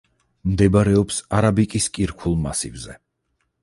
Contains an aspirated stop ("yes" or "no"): yes